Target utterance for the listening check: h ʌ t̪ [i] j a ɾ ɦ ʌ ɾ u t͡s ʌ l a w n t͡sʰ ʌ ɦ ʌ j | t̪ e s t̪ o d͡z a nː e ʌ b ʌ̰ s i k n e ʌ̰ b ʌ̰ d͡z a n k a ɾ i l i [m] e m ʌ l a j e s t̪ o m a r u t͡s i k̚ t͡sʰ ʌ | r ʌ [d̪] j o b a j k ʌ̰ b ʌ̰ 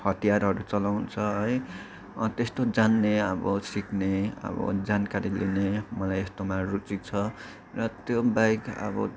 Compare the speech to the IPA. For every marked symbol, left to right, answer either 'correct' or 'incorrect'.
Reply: correct, incorrect: n, incorrect: t̪

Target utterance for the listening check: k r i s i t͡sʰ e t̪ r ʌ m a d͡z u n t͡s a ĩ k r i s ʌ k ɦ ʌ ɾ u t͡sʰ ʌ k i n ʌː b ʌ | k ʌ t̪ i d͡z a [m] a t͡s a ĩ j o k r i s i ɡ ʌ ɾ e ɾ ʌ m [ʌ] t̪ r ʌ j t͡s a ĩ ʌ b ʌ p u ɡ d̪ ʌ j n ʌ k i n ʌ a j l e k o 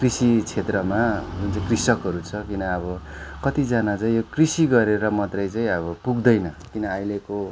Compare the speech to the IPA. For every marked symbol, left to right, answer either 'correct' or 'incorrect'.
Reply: incorrect: n, correct

